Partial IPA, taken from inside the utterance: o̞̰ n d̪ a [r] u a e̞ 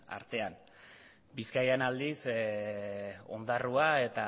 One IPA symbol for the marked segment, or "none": r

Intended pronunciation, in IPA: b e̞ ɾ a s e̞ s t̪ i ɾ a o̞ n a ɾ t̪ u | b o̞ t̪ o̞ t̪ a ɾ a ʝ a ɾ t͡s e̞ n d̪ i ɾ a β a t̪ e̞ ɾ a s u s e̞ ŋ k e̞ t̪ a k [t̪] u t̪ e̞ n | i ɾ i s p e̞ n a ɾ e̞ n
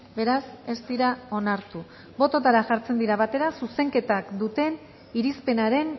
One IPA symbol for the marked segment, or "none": d̪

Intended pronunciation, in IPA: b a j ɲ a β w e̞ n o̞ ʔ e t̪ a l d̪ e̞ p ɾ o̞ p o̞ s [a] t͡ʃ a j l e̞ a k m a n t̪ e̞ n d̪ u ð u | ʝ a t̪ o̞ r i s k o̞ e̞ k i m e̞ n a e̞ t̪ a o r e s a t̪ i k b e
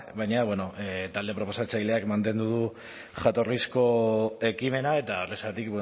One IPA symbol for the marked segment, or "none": a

